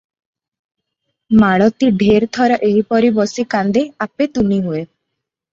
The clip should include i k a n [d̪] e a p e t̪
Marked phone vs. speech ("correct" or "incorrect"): correct